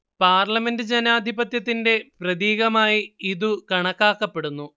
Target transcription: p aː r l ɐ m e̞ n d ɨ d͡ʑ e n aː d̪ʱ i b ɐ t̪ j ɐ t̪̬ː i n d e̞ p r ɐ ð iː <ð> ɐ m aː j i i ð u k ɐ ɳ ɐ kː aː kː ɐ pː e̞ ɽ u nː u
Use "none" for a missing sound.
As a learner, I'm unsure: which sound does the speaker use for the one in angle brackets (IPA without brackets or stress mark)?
ɣ